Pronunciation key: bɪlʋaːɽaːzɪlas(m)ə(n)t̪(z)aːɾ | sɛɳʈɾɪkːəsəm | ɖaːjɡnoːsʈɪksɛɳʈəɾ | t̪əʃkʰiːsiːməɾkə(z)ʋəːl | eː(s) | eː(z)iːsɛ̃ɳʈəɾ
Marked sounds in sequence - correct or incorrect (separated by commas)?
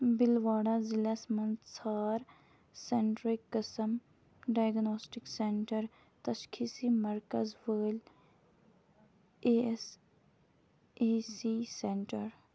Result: correct, correct, incorrect, correct, correct, incorrect